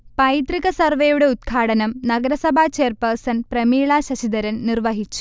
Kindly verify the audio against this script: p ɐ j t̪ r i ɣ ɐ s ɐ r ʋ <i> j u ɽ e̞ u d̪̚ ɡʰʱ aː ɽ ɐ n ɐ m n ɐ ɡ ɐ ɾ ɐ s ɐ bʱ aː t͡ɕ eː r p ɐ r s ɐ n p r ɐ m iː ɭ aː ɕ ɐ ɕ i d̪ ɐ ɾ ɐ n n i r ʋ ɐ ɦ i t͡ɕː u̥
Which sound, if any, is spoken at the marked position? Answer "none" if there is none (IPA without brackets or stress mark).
e